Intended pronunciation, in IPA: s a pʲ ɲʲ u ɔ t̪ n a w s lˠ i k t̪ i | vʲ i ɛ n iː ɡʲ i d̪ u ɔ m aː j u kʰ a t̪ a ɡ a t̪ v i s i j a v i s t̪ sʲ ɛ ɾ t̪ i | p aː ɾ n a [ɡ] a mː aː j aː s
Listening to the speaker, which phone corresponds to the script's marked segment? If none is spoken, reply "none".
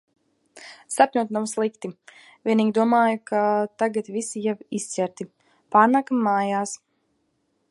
k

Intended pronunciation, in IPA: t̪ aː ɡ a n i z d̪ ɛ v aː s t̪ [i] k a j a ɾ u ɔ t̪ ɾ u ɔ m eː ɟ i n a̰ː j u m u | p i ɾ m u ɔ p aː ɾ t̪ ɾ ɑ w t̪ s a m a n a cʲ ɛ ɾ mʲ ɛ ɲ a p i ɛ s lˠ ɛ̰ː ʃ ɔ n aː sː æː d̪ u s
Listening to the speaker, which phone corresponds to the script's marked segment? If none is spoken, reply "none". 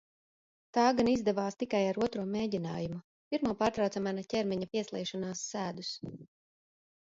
i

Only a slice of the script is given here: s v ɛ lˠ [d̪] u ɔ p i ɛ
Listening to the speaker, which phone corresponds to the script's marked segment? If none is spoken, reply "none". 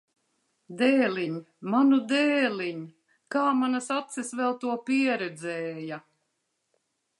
t̪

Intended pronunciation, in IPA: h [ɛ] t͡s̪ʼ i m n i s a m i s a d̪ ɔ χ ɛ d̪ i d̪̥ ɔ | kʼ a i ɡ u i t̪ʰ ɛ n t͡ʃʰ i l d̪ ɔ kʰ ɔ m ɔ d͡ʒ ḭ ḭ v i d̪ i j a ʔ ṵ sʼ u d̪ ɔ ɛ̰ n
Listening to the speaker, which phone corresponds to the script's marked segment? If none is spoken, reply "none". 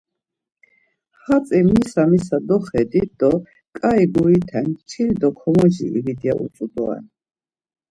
a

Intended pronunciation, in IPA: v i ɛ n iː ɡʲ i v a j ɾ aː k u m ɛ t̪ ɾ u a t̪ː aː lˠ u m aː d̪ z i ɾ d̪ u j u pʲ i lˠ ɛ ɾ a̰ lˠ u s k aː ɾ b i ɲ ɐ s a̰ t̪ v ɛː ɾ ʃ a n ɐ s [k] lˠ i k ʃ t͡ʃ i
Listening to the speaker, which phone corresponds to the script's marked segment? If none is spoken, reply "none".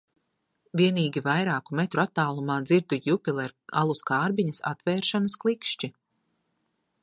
k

